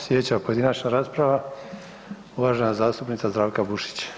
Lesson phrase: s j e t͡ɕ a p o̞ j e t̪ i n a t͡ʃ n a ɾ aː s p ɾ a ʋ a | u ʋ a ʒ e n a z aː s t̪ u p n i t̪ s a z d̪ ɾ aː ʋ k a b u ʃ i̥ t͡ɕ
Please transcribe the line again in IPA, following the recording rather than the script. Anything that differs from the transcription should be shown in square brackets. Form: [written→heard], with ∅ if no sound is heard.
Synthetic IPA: s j e t͡ɕ a p o̞ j e [t̪→d̪] i n a t͡ʃ n a ɾ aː s p ɾ a ʋ a | u ʋ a ʒ e n a z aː s t̪ u p n i t̪ s a z d̪ ɾ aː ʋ k a b u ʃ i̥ t͡ɕ